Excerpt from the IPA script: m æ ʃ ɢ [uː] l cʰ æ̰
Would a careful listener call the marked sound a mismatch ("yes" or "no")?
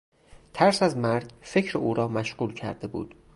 no